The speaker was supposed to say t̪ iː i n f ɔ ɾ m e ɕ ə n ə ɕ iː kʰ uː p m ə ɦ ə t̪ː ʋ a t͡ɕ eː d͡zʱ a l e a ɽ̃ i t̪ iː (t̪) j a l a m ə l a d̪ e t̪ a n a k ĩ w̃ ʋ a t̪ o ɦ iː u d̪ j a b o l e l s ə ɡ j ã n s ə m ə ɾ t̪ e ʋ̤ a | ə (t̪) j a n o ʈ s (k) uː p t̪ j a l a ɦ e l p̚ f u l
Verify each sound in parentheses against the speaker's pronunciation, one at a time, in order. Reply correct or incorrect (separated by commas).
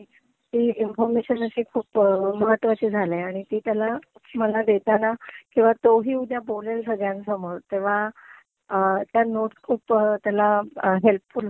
correct, correct, incorrect